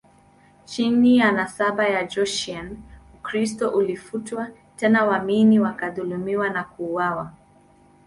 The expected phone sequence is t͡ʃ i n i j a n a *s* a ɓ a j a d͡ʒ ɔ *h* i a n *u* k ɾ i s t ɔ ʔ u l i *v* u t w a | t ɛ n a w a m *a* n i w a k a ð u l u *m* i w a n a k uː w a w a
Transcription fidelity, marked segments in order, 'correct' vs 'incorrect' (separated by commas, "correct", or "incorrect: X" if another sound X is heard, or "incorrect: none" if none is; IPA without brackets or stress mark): correct, incorrect: ʃ, correct, incorrect: f, incorrect: i, correct